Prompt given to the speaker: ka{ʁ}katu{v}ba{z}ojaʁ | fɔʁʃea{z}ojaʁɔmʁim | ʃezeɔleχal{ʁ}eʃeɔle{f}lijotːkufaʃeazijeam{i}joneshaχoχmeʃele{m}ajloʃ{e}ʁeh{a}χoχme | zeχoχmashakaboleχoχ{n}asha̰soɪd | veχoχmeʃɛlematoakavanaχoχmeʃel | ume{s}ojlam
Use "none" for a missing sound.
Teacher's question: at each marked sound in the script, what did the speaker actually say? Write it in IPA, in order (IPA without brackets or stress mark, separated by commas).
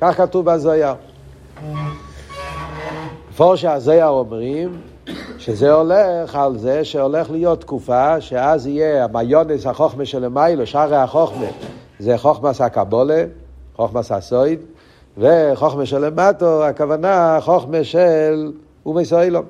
χ, v, z, z, z, χ, a, m, a, a, m, s